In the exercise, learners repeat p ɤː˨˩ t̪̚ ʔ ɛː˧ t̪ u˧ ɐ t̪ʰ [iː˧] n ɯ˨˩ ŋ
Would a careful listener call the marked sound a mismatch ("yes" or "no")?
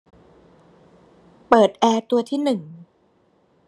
yes